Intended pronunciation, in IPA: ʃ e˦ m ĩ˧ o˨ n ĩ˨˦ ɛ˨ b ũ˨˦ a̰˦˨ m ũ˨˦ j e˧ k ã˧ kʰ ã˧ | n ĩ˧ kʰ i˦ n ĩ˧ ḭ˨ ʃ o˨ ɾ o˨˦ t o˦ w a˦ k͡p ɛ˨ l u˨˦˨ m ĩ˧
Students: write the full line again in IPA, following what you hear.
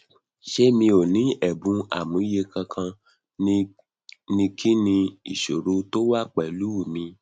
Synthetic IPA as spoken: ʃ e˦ m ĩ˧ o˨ n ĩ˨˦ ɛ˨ b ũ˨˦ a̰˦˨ m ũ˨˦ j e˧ k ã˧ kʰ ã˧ | n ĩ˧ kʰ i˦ n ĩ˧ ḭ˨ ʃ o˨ ɾ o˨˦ t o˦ w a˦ k͡p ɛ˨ l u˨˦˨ m ĩ˧